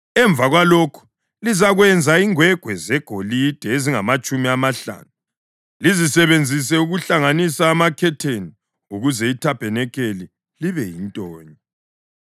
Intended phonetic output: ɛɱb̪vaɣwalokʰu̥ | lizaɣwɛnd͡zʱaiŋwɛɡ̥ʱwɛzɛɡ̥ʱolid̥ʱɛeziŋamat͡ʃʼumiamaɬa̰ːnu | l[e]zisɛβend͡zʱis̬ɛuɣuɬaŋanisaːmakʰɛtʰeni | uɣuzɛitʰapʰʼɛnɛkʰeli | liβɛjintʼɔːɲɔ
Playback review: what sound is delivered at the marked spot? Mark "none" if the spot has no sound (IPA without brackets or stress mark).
i